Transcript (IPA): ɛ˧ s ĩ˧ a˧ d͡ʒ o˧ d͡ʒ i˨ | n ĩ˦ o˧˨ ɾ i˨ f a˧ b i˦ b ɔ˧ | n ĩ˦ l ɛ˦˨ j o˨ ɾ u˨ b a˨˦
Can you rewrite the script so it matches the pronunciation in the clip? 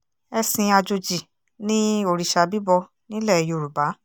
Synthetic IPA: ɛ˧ s ĩ˧ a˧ d͡ʒ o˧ d͡ʒ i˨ | n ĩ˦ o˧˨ ɾ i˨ ʃ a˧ b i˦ b ɔ˧ | n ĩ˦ l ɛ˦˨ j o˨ ɾ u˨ b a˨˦